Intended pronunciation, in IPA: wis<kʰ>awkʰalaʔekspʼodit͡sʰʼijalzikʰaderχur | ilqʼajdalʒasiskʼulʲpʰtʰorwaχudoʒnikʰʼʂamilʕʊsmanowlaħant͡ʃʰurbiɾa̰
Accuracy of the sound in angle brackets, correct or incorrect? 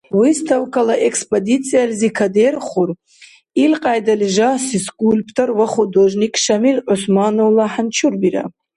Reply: incorrect